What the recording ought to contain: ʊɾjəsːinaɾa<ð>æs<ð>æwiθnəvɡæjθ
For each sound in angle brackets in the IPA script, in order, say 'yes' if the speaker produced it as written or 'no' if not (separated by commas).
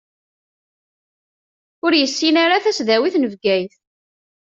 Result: no, yes